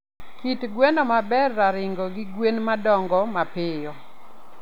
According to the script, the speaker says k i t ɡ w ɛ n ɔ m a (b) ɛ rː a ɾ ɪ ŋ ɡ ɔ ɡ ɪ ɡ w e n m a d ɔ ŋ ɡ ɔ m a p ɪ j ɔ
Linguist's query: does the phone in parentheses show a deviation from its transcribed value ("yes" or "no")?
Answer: no